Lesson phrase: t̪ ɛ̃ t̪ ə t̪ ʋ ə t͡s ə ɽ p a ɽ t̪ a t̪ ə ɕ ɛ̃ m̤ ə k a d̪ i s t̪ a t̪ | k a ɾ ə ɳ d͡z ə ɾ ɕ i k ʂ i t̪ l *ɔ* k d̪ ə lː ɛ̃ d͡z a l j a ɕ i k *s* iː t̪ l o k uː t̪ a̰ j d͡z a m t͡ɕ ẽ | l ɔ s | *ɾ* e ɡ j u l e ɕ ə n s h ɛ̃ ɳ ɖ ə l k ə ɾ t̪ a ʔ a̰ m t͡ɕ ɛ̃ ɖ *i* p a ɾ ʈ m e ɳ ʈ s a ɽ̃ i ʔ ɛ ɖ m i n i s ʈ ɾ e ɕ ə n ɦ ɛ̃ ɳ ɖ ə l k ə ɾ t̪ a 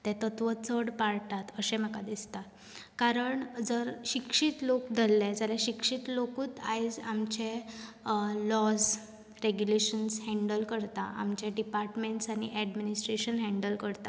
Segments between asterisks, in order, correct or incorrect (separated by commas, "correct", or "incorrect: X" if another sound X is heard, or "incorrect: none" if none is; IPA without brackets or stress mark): incorrect: o, incorrect: ʂ, correct, correct